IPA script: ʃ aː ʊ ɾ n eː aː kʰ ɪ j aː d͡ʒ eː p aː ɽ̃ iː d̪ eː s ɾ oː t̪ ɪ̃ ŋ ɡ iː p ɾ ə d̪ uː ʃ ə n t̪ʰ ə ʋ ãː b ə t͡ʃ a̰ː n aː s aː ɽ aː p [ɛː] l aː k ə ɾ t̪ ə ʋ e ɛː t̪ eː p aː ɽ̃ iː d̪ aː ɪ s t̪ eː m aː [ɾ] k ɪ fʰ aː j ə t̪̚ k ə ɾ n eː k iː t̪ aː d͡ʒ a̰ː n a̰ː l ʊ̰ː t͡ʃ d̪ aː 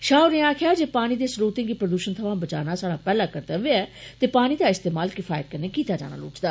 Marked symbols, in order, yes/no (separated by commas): yes, no